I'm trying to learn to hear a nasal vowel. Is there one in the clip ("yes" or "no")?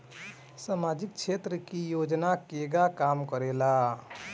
no